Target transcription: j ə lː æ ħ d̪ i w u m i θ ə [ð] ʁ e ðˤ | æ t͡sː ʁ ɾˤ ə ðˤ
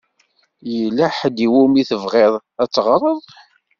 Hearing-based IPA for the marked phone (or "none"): v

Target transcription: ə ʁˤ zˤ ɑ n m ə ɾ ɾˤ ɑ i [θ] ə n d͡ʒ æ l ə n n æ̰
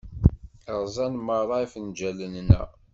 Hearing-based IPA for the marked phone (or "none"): f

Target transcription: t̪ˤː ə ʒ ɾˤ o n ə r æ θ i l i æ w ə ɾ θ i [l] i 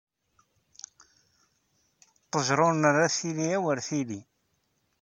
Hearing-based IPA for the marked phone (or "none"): l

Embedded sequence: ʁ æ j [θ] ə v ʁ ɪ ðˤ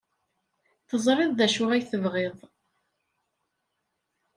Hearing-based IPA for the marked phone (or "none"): θ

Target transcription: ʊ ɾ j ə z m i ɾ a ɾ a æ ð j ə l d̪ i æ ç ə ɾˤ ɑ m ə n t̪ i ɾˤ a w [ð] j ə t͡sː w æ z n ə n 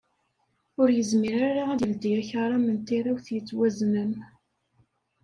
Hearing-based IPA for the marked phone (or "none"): θ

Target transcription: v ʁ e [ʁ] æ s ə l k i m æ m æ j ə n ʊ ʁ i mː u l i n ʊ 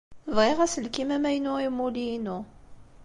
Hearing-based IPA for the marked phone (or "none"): ʁ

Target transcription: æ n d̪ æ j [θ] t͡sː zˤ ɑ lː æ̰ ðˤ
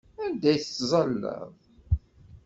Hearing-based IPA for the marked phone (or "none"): θ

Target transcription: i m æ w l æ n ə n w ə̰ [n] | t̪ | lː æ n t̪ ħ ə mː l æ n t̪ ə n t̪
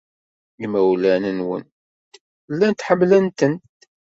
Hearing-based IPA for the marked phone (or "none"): n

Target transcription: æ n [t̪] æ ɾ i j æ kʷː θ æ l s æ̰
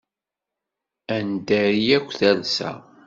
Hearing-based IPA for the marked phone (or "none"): d̪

